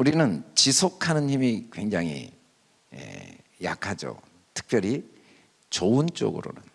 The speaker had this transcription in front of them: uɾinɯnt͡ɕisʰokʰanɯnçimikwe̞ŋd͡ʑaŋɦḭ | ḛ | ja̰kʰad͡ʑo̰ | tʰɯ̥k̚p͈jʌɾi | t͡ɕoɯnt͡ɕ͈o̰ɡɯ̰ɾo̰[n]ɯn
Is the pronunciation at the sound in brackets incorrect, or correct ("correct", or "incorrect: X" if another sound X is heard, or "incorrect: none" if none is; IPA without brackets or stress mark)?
correct